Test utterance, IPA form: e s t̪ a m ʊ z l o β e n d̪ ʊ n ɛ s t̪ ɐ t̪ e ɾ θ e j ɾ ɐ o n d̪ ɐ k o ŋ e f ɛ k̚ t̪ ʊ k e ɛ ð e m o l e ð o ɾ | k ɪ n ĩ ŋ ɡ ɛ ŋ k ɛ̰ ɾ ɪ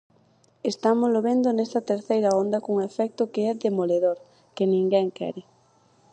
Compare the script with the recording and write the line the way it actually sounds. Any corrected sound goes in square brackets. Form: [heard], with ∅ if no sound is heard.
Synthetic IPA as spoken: e s t̪ a m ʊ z l o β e n d̪ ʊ n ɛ s t̪ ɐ t̪ e ɾ θ e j ɾ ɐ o n d̪ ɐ k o ŋ e f ɛ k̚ t̪ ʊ k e ɛ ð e m o l e ð o ɾ | k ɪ n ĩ ŋ ɡ ɛ ŋ k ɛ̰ ɾ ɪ